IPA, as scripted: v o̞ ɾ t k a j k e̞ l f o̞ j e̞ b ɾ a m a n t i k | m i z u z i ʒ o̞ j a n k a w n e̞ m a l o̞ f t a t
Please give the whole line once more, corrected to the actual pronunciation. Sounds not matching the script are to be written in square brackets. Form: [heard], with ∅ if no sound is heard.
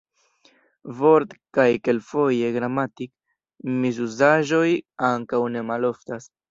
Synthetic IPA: v o̞ ɾ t k a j k e̞ l f o̞ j e̞ [ɡ] ɾ a m a [∅] t i k | m i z u z [a] ʒ o̞ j a [ŋ] k a w n e̞ m a l o̞ f t a [s]